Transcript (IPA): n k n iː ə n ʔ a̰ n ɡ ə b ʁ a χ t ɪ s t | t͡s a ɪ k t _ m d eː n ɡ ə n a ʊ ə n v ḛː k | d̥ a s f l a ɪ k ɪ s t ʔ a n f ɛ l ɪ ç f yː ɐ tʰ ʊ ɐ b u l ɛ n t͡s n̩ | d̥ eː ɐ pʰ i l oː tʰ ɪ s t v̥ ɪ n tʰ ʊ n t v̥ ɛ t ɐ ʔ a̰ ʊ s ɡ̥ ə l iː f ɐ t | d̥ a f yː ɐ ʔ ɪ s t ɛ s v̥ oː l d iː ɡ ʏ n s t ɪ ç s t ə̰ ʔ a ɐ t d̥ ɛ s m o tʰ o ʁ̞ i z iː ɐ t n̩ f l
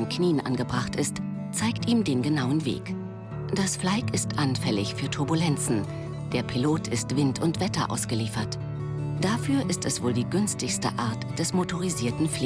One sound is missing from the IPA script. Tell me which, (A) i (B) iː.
B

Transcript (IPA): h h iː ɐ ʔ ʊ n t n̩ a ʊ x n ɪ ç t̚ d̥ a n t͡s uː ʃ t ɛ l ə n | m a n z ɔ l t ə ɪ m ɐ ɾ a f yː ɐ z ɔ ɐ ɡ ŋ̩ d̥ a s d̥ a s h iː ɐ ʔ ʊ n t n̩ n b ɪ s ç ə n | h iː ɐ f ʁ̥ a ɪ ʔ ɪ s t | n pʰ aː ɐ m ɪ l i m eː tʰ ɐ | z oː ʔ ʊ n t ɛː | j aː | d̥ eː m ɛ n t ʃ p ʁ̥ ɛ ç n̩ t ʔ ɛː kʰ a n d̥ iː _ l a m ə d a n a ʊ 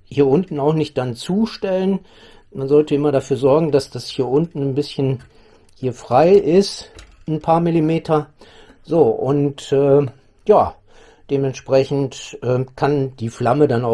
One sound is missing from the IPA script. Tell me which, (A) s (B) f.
B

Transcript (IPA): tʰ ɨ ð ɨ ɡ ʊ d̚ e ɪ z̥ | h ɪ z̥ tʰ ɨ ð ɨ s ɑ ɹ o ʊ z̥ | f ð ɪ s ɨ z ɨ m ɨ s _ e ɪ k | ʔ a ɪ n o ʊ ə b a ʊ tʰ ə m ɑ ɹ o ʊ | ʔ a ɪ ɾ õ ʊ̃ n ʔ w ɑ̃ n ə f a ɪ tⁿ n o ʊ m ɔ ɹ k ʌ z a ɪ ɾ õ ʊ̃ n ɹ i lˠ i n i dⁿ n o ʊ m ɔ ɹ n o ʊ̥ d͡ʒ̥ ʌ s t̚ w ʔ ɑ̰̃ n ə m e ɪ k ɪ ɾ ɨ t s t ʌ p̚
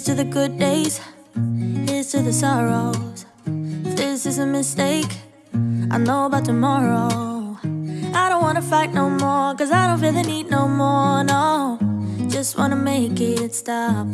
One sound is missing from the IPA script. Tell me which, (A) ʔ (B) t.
B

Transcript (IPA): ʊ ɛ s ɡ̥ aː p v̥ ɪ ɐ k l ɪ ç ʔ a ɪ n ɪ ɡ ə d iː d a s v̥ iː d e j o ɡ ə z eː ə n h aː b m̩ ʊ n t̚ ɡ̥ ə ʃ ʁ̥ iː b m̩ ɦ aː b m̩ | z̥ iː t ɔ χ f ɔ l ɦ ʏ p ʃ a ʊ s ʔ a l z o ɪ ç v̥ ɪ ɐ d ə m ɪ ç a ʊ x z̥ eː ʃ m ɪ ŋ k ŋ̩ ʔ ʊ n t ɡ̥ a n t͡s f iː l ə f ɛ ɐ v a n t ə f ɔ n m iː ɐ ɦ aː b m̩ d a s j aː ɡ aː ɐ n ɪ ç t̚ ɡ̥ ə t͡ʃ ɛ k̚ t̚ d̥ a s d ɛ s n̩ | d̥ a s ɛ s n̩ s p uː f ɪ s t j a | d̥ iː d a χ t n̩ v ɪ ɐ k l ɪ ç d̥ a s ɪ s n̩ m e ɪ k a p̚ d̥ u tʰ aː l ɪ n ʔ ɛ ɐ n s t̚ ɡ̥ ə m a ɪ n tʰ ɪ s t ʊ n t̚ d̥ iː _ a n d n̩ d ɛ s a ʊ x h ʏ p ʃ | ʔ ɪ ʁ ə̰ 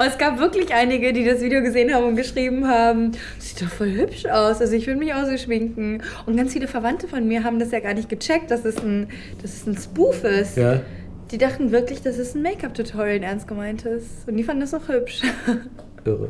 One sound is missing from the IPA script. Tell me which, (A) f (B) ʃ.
A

